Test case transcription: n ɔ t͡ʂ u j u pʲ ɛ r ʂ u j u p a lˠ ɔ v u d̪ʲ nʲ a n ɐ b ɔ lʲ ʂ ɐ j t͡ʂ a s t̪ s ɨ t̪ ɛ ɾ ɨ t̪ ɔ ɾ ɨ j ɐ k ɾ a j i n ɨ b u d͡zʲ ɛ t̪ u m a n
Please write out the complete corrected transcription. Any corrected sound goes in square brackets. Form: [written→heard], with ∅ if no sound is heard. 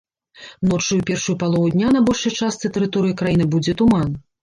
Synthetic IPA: n ɔ t͡ʂ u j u pʲ ɛ r ʂ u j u p a lˠ ɔ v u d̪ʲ nʲ a n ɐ b ɔ lʲ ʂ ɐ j t͡ʂ a s t̪ s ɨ t̪ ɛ ɾ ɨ t̪ ɔ ɾ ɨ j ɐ k ɾ a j i n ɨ b u d͡zʲ ɛ t̪ u m a n